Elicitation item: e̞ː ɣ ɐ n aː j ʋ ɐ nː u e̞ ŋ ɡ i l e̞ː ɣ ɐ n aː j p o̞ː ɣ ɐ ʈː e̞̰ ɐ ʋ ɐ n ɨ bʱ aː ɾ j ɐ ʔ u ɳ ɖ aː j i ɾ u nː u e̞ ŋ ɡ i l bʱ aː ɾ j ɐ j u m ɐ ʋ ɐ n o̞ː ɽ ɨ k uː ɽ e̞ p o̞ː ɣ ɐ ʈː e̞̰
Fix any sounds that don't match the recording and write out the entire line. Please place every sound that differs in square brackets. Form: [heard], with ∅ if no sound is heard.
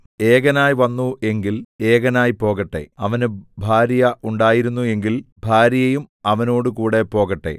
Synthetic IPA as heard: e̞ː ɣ ɐ n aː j ʋ ɐ nː u e̞ ŋ ɡ i l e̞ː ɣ ɐ n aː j p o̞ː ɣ ɐ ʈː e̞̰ ɐ ʋ ɐ n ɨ bʱ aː ɾ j ɐ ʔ u ɳ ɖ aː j i ɾ u nː u e̞ ŋ ɡ i l bʱ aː ɾ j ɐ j u m ɐ ʋ ɐ n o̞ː ɽ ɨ k uː ɽ e̞ p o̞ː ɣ ɐ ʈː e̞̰